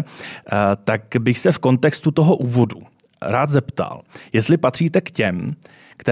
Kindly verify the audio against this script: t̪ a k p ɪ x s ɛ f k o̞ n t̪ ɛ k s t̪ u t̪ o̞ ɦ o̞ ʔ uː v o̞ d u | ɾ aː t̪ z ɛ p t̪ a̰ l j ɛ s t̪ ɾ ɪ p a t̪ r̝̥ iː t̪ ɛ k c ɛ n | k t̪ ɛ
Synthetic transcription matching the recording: t̪ a k b ɪ x s ɛ f k o̞ n t̪ ɛ k s t̪ u t̪ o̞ ɦ o̞ ʔ uː v o̞ d u | ɾ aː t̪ z ɛ p t̪ a̰ l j ɛ s t̪ l ɪ p a t̪ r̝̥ iː t̪ ɛ k c ɛ m | k t̪ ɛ